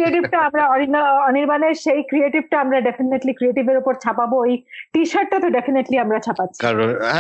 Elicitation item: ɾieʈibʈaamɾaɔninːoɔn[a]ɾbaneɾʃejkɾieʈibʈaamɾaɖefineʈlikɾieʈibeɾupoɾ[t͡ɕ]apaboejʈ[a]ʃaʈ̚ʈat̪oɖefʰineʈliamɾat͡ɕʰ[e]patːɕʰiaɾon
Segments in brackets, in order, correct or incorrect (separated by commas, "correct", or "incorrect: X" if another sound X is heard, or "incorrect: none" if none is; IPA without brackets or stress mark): incorrect: i, incorrect: t͡ɕʰ, incorrect: i, incorrect: a